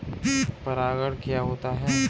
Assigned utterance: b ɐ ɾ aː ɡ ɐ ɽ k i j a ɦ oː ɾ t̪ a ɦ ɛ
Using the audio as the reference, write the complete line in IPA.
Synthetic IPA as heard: p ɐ ɾ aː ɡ ə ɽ k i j a ɦ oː t̪ a ɦ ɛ